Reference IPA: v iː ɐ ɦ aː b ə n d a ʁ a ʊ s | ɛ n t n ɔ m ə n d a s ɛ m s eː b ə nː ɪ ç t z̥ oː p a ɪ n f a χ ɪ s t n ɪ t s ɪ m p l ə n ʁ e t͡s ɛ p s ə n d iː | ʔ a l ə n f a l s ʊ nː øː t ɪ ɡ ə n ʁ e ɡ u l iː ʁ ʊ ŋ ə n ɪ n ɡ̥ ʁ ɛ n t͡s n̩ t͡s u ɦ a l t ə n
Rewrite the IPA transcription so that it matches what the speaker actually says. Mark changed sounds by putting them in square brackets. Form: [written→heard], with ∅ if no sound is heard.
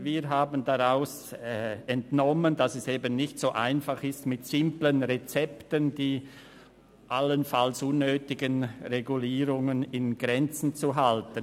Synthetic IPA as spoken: v iː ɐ ɦ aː b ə n d a ʁ a ʊ s | ɛ n t n ɔ m ə n d a s ɛ [m→∅] s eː b ə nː ɪ ç t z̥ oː [p→ʔ] a ɪ n f a χ ɪ s t [n→m] ɪ t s ɪ m p l ə n ʁ e t͡s ɛ p [s→t] ə n d iː | ʔ a l ə n f a l s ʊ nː øː t ɪ ɡ ə n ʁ e ɡ u l iː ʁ ʊ ŋ ə n ɪ n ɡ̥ ʁ ɛ n t͡s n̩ t͡s u ɦ a l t ə n

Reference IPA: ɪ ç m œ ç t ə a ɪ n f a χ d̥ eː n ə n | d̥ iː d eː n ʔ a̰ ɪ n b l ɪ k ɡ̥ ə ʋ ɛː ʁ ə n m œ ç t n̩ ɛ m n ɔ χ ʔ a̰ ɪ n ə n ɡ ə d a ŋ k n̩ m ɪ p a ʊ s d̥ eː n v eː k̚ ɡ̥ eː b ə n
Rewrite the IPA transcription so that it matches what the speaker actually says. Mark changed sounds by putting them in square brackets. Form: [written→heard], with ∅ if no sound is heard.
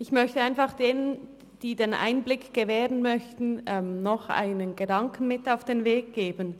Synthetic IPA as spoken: ɪ ç m œ ç t ə a ɪ n f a χ d̥ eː n ə n | d̥ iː d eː n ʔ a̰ ɪ n b l ɪ k ɡ̥ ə [ʋ→v] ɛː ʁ ə n m œ ç t n̩ ɛ m n ɔ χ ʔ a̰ ɪ n ə n ɡ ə d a ŋ k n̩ m ɪ [p→t] a ʊ [s→f] d̥ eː n v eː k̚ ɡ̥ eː b ə n

